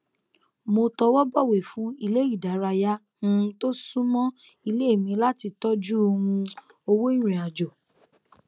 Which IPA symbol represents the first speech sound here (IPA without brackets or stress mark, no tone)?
m